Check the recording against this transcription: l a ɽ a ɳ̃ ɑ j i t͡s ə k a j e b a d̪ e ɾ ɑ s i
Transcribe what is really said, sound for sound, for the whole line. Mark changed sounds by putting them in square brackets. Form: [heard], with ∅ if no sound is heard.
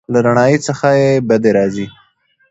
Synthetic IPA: l a [ɾ] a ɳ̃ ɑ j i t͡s ə [x] a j e b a d̪ e ɾ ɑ [z] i